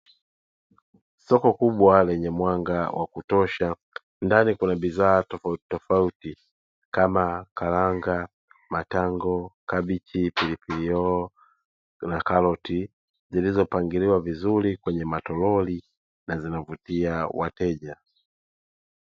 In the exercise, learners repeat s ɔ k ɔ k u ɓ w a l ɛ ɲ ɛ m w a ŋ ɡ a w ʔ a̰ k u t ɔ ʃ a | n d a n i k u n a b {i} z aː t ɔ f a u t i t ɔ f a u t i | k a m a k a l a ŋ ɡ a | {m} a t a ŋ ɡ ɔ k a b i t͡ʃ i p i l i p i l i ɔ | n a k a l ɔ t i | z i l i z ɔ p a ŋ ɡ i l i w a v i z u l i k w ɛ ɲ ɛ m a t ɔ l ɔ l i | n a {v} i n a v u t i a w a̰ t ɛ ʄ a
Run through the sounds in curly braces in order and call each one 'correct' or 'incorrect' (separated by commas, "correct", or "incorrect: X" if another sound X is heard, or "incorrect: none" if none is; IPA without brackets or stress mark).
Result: correct, correct, incorrect: z